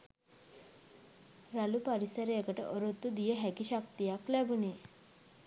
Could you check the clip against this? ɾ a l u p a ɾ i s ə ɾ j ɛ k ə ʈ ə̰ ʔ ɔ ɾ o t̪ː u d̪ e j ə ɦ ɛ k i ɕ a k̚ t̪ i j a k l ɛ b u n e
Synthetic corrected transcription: ɾ a l u p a ɾ i s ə ɾ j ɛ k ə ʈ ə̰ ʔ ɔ ɾ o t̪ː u d̪ i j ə ɦ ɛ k i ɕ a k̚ t̪ i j a k l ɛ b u n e